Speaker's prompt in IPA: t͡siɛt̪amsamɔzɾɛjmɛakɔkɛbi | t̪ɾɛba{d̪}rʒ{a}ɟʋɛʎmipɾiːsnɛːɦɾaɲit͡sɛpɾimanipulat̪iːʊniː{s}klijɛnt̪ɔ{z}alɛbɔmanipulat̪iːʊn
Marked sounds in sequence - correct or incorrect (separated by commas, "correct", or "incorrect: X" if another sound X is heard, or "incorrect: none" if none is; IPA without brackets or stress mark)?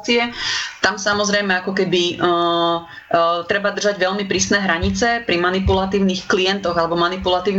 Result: correct, correct, incorrect: x, incorrect: ɣ